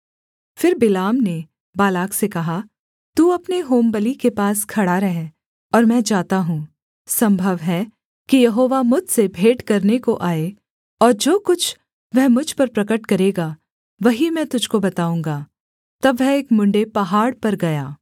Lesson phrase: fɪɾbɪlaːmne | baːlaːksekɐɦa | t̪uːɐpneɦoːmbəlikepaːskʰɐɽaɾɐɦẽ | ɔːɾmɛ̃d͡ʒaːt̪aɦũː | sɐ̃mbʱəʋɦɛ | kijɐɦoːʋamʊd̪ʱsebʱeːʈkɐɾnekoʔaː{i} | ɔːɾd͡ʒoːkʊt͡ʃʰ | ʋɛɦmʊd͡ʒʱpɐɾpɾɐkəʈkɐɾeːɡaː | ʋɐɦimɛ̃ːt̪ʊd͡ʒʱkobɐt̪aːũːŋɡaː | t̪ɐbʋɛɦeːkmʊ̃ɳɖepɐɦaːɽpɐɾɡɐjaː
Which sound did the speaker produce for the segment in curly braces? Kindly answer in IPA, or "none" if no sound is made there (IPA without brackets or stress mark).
e